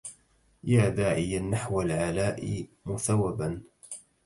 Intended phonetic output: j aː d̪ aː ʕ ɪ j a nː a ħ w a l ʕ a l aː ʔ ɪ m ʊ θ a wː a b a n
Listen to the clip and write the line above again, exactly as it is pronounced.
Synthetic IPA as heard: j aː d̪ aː ʕ ɪ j a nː a ħ w a l ʕ a l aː ʔ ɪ m ʊ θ a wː a b a n